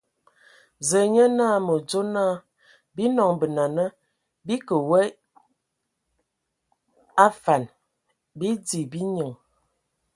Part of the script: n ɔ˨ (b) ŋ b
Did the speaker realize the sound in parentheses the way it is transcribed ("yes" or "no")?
no